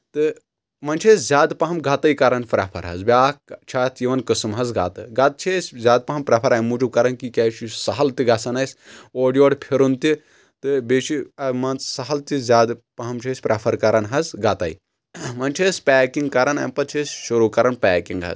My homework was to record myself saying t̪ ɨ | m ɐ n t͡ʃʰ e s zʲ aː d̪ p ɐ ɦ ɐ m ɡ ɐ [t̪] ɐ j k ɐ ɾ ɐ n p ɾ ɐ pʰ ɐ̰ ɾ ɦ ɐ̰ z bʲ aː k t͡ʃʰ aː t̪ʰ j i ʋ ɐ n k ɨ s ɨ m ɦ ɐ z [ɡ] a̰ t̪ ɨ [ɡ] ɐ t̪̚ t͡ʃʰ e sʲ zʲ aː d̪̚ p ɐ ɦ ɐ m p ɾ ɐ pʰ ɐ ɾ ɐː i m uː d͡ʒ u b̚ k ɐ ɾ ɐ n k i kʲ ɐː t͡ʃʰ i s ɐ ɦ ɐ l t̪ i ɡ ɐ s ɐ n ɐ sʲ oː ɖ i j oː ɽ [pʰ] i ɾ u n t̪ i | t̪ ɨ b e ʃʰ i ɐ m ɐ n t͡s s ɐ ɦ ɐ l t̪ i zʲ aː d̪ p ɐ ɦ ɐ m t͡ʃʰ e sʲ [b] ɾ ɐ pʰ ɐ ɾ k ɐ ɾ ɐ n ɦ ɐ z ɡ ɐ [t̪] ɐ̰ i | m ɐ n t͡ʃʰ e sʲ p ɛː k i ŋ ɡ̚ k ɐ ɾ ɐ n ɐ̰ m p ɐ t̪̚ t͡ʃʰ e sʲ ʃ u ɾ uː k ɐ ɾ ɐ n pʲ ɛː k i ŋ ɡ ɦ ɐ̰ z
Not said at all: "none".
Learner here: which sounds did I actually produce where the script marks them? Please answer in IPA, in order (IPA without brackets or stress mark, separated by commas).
t̪, ɡ, ɡ, pʰ, p, t̪